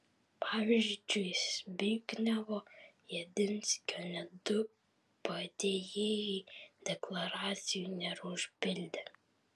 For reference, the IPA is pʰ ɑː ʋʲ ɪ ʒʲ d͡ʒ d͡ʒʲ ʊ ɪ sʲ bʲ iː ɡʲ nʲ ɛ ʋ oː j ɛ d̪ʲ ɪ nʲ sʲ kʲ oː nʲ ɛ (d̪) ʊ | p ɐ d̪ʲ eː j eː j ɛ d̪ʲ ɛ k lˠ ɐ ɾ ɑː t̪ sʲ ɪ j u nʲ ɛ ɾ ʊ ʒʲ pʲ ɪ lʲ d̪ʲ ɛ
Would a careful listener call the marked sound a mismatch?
no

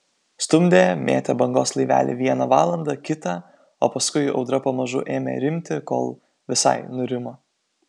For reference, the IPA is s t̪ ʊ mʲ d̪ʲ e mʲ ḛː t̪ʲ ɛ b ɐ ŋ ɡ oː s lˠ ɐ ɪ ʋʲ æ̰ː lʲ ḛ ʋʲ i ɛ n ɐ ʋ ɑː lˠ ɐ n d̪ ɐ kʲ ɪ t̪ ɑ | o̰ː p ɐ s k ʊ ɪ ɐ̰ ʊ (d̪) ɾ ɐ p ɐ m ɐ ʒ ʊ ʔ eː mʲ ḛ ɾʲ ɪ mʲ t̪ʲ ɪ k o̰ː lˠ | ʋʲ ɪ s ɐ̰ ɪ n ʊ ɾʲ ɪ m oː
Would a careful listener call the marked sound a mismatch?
no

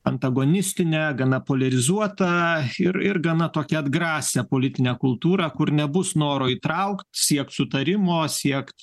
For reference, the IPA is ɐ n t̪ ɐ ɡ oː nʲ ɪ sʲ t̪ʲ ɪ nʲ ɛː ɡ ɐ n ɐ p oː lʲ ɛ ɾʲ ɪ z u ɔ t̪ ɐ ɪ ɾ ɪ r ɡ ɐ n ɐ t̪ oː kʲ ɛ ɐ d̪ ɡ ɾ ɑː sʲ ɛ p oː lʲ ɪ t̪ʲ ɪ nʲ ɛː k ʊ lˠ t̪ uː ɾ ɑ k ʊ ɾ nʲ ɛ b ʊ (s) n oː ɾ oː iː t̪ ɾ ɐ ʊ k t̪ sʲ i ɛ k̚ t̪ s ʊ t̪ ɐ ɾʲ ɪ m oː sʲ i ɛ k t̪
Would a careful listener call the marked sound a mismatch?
no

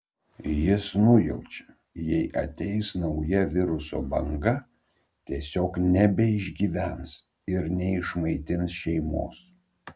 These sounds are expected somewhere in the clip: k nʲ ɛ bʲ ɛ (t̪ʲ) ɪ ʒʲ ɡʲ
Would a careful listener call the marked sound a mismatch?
yes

